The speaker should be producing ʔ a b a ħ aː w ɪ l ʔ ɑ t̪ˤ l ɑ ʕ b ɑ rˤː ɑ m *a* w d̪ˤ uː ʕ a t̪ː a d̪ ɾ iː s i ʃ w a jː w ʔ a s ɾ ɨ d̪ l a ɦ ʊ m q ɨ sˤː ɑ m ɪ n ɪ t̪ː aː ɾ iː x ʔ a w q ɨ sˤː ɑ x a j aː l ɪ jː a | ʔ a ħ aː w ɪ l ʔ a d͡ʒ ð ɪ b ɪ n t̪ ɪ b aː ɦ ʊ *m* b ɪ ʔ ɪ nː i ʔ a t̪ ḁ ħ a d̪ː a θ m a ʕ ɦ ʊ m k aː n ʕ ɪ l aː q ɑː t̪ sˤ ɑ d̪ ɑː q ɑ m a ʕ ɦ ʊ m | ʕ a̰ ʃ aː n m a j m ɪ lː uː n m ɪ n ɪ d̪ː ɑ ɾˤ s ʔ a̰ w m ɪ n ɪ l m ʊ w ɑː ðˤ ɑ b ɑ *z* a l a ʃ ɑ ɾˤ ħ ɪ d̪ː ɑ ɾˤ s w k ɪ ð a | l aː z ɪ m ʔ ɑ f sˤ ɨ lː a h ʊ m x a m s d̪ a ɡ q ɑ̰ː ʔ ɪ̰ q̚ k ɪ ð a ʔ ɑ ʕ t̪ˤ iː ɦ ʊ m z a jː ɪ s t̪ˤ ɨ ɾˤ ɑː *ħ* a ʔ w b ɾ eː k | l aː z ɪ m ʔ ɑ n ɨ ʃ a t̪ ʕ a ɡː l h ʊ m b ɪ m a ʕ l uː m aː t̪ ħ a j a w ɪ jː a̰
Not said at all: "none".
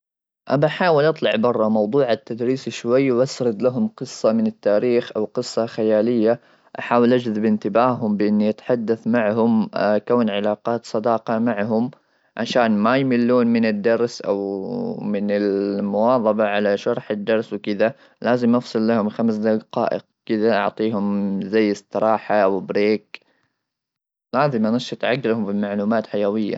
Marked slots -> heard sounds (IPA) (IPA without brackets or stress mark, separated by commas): ɑ, m, ʕ, ħ